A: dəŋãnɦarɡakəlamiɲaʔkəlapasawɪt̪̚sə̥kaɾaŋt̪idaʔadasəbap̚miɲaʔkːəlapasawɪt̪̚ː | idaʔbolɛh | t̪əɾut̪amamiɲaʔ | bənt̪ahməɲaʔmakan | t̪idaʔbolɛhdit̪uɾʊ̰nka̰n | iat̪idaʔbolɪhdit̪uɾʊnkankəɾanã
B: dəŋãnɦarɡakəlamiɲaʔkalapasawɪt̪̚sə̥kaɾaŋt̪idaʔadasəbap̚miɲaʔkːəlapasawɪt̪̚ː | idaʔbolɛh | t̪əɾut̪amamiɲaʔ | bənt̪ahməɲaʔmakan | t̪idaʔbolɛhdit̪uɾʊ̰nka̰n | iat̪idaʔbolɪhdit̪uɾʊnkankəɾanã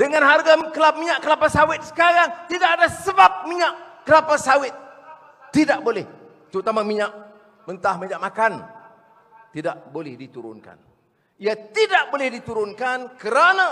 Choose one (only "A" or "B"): A